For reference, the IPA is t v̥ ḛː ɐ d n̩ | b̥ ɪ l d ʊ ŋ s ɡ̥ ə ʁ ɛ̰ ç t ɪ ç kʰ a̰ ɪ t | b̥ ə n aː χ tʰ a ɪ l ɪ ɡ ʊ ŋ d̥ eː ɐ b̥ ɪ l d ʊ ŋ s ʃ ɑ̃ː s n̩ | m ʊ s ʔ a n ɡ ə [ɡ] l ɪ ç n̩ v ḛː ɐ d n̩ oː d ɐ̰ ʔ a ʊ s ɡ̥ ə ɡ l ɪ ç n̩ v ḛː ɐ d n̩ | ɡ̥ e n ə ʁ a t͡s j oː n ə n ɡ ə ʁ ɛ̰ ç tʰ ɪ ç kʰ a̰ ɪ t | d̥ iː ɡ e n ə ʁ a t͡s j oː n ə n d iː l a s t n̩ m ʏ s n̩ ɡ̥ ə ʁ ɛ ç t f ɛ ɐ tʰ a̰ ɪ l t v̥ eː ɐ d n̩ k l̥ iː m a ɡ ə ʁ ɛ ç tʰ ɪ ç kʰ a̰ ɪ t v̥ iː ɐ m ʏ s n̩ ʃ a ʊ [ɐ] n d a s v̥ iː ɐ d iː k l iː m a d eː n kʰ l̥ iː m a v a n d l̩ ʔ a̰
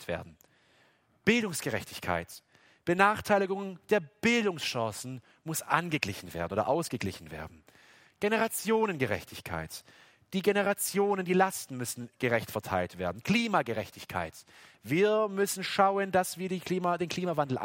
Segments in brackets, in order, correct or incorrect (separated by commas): correct, incorrect